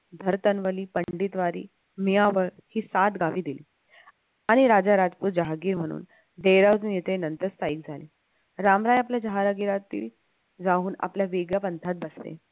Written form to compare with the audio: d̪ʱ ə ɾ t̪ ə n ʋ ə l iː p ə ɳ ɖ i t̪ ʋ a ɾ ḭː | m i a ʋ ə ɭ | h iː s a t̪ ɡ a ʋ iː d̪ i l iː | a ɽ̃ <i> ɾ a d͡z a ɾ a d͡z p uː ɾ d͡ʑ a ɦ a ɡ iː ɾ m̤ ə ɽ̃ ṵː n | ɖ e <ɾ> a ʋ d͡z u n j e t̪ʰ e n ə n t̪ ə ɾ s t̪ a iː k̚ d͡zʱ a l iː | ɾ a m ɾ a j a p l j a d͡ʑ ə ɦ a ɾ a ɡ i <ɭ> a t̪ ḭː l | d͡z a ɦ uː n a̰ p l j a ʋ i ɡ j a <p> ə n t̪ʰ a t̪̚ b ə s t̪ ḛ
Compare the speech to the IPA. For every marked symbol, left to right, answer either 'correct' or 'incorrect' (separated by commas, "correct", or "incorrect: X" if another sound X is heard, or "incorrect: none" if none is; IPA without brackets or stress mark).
correct, correct, incorrect: ɾ, correct